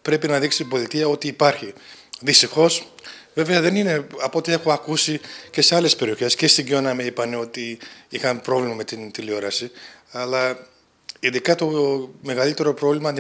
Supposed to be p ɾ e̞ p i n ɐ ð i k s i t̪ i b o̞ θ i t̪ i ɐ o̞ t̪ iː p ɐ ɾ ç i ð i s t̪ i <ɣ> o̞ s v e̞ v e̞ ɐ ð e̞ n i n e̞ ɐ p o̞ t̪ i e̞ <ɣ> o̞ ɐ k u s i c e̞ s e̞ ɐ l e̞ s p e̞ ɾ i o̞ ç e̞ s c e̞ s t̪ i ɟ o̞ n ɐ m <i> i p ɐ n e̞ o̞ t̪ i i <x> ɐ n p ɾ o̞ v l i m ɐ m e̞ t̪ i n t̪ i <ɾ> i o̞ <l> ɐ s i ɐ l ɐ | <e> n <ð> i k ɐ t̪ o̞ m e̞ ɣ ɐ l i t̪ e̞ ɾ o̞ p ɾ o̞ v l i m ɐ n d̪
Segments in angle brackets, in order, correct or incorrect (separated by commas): incorrect, incorrect, incorrect, correct, incorrect, incorrect, incorrect, correct